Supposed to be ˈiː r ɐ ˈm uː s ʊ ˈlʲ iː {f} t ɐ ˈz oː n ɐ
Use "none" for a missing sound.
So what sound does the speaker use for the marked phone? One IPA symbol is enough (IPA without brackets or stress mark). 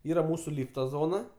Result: f